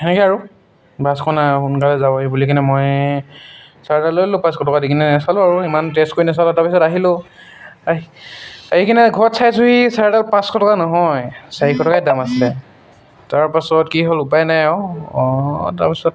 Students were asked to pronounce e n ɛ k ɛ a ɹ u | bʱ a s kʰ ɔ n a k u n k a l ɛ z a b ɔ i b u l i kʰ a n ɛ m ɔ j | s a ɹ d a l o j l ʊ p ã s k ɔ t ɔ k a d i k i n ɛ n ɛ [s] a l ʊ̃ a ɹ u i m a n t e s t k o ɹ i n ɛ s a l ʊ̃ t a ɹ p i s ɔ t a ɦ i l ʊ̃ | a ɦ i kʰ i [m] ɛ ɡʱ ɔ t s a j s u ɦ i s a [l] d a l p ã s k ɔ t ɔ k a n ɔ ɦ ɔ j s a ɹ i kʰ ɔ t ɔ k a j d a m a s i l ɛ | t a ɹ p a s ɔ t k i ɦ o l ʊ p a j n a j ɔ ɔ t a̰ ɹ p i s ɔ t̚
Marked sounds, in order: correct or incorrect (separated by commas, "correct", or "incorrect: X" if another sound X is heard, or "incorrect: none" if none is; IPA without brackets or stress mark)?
correct, incorrect: n, incorrect: ɹ